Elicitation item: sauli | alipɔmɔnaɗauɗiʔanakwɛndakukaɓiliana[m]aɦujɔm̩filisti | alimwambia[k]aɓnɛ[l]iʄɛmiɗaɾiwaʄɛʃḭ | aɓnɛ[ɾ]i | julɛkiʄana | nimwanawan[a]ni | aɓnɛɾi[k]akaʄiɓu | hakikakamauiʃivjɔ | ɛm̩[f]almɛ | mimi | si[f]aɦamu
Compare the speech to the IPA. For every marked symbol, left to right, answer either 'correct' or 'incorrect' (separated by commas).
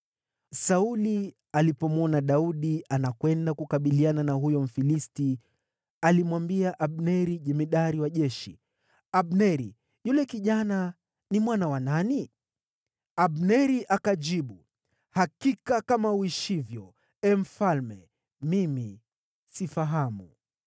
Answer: incorrect, incorrect, incorrect, correct, correct, incorrect, correct, correct